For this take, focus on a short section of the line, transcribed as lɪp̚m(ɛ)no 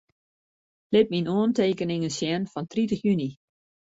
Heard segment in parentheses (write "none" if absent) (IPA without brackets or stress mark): i